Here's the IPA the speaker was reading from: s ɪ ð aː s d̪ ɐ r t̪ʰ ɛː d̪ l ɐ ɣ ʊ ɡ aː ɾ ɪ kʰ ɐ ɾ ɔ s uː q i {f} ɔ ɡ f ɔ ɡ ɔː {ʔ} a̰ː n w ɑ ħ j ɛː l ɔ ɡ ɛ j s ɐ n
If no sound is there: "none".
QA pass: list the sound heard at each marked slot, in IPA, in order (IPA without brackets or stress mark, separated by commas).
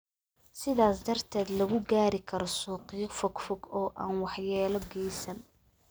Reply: f, ʔ